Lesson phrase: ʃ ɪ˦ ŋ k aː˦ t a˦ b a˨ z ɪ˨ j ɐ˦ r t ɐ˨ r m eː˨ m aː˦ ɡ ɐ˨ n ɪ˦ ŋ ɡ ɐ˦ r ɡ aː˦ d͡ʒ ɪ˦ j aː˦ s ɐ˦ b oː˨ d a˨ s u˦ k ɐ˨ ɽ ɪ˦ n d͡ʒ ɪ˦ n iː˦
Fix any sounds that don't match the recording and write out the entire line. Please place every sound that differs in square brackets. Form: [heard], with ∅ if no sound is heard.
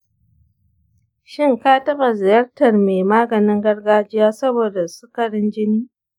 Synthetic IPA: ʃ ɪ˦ ŋ k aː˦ t [ɐ˦] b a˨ z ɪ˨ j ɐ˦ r t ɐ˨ r m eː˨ m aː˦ ɡ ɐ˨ n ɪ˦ ŋ ɡ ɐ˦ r ɡ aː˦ d͡ʒ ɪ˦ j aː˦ s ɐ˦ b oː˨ d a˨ s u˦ k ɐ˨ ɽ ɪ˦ n d͡ʒ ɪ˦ n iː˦